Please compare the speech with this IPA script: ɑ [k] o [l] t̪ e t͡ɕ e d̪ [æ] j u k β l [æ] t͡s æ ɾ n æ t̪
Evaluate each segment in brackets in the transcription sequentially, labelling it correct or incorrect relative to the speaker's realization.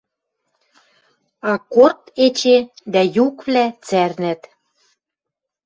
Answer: correct, incorrect: r, correct, correct

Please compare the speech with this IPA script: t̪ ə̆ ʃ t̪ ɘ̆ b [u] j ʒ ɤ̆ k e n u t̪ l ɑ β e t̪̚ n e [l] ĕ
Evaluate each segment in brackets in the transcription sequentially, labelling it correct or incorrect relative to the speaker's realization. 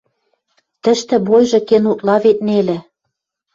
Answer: incorrect: o, correct

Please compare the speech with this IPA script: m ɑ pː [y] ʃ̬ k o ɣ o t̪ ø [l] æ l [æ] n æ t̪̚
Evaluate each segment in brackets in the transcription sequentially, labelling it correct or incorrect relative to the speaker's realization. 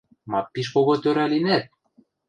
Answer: incorrect: i, incorrect: ɾ, incorrect: i

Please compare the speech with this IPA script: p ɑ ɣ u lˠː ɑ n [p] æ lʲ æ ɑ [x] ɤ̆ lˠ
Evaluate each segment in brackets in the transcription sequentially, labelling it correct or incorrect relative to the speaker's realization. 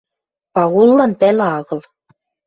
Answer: correct, incorrect: ɣ

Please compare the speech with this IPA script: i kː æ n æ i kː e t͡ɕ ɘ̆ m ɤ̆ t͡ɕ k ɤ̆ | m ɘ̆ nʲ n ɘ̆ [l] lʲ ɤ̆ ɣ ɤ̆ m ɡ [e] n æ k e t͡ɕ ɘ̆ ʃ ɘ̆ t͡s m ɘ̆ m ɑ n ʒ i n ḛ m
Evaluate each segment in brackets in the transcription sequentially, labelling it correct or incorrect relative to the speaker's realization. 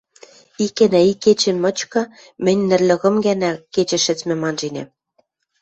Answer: incorrect: r, incorrect: æ

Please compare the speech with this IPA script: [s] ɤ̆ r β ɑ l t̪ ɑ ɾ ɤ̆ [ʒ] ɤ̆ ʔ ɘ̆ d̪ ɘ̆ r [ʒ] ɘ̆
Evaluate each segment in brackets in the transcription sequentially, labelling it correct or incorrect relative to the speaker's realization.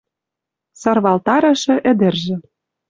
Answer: correct, incorrect: ʃ, correct

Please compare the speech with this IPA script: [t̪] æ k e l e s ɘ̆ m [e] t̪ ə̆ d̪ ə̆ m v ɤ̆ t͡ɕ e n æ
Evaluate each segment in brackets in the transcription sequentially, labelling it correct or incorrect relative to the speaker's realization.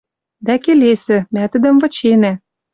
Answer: incorrect: d̪, incorrect: æ

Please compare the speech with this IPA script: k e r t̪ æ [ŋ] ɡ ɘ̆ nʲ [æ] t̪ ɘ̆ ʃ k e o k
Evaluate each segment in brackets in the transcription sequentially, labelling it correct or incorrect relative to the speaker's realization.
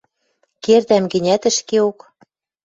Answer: incorrect: m, correct

